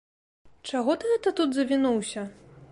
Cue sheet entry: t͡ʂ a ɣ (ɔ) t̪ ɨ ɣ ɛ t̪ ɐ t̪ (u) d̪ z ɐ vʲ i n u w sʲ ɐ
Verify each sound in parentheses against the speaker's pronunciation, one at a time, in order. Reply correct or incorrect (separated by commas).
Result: correct, correct